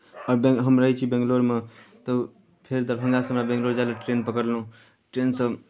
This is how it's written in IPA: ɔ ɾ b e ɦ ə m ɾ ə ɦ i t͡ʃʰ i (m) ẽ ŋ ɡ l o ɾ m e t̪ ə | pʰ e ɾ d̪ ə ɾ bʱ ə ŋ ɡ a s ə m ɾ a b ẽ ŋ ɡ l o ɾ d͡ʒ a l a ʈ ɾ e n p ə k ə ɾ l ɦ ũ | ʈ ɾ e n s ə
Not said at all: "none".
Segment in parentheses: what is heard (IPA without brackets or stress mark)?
b